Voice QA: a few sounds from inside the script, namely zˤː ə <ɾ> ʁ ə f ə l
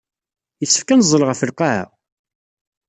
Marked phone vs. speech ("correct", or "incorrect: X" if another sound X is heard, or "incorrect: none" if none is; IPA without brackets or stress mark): incorrect: l